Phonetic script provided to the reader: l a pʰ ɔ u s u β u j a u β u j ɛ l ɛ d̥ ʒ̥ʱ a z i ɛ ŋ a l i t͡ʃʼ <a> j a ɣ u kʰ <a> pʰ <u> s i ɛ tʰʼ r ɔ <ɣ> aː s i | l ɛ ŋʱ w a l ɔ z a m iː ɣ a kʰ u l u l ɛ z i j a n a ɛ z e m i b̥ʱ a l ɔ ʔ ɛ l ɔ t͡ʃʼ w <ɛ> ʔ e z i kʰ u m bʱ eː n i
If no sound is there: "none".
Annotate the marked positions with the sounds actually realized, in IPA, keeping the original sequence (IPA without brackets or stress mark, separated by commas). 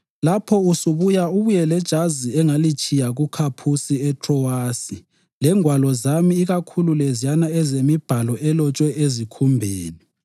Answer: i, a, u, w, ɛ